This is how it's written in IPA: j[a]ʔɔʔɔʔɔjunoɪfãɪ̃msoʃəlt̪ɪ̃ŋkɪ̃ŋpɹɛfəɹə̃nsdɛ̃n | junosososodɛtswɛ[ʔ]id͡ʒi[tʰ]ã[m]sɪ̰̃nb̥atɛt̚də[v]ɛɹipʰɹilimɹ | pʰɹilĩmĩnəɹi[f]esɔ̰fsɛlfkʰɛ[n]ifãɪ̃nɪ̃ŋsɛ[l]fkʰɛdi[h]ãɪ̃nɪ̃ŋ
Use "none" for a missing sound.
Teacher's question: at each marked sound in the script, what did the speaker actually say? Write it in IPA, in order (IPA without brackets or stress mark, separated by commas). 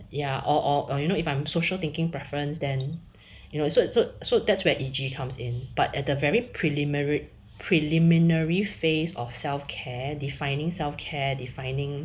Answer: a, ʔ, kʰ, m, v, f, d, l, f